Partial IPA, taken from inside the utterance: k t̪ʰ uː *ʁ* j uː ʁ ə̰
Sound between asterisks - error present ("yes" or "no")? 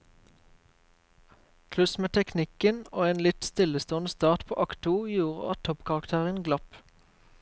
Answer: yes